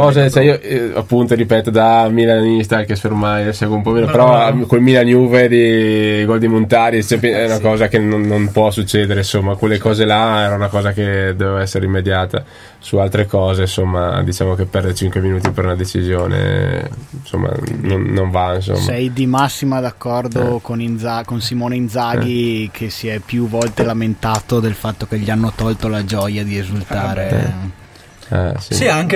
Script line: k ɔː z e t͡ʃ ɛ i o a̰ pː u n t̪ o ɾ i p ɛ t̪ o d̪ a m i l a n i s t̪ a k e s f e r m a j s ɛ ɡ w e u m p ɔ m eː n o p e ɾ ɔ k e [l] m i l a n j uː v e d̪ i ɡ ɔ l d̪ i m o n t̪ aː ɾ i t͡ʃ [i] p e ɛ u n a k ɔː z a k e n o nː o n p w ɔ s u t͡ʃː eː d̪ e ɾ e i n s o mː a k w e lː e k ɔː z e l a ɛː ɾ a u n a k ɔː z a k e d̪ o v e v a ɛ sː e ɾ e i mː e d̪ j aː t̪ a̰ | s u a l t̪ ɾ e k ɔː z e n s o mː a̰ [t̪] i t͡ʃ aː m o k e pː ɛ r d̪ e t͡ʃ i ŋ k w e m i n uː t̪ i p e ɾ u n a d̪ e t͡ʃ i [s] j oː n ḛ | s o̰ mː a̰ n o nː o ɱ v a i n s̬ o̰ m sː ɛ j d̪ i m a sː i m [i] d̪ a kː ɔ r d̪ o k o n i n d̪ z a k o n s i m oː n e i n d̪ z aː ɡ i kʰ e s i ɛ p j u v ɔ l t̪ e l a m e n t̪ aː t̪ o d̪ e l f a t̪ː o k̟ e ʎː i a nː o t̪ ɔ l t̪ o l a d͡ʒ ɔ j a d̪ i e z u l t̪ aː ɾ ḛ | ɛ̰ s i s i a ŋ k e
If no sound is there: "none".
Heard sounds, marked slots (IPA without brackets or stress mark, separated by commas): l, ɛ, d̪, z, a